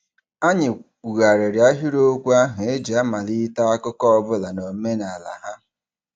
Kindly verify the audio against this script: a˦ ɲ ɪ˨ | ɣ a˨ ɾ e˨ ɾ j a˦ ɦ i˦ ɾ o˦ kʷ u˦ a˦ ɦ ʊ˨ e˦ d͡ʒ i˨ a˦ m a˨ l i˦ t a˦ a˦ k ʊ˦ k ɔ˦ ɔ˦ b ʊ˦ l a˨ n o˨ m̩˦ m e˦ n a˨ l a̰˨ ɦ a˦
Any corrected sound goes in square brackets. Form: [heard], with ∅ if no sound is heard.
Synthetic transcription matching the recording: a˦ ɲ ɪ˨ | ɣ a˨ ɾ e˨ ɾ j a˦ ɦ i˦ ɾ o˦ kʷ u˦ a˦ ɦ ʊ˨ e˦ d͡ʒ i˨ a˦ m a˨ l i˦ t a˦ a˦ k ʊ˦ k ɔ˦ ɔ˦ b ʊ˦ l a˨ n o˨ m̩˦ m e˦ n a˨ l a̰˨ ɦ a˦